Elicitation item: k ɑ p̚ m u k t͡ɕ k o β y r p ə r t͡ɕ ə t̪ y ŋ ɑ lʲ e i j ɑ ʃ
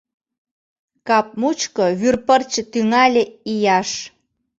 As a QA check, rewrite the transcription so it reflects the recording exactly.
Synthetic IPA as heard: k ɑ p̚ m u t͡ɕ k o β y r p ə r t͡ɕ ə t̪ y ŋ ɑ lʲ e i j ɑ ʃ